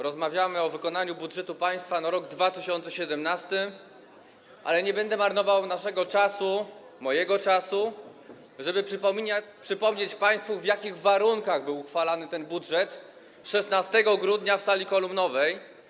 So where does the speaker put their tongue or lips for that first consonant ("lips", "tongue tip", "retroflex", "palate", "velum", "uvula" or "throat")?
tongue tip